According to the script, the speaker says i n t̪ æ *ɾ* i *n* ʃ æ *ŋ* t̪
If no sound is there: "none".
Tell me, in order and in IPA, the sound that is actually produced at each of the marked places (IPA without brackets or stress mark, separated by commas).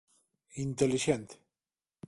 l, none, n